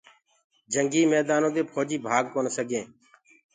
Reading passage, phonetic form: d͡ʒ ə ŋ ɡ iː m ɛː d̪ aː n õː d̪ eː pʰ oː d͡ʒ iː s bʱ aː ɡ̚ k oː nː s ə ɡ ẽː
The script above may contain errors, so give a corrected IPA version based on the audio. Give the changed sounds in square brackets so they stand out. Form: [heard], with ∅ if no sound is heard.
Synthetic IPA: d͡ʒ ə ŋ ɡ iː m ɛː d̪ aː n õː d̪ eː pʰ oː d͡ʒ iː [∅] bʱ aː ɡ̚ k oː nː s ə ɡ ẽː